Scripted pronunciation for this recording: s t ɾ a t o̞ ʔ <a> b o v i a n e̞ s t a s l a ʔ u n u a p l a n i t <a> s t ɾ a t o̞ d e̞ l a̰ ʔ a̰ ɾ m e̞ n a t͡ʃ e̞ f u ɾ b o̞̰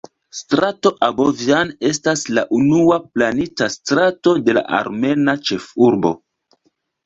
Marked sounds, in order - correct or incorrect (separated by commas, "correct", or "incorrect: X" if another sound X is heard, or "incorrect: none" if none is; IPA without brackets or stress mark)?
correct, correct